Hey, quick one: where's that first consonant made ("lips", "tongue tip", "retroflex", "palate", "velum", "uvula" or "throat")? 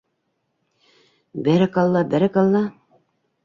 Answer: lips